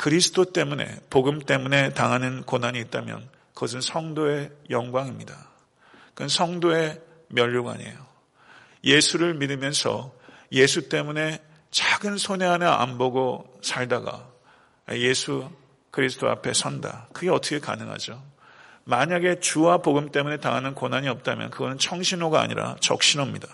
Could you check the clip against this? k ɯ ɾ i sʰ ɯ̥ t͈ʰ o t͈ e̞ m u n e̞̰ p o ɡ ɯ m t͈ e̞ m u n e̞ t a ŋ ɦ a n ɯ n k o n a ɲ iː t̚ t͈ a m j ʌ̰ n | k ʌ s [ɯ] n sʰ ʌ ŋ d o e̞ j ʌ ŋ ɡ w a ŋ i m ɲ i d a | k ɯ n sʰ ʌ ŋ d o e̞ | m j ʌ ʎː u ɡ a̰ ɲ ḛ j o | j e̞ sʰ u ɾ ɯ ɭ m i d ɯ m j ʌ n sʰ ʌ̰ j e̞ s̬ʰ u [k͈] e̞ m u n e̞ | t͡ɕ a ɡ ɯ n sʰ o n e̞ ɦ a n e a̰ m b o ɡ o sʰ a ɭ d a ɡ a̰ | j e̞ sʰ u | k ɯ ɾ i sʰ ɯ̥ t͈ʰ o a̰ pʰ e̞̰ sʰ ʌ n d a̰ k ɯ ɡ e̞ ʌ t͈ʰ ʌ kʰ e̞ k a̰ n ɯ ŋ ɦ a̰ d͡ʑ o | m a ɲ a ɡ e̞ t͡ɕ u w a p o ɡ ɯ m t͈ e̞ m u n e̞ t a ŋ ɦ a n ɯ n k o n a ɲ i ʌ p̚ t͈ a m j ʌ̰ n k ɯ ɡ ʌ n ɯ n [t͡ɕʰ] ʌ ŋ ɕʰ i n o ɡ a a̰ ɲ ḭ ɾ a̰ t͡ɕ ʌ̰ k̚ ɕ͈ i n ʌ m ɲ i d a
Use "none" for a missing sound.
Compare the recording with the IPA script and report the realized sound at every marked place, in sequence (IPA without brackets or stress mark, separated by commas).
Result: ɯ, t͈, t͡ɕʰ